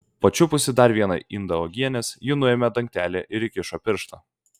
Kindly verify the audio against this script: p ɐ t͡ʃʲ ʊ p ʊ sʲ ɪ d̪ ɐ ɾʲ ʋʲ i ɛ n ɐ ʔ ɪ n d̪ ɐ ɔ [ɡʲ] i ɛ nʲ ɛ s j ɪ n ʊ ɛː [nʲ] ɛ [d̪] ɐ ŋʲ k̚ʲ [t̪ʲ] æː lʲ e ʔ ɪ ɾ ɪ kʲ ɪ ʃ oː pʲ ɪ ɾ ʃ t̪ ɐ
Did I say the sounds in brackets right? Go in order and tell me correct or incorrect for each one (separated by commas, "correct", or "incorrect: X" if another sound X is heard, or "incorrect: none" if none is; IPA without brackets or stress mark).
correct, incorrect: mʲ, correct, correct